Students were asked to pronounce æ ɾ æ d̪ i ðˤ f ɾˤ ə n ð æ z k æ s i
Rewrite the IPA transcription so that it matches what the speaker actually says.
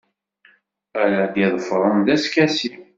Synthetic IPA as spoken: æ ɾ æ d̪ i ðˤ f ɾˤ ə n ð æ s k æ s i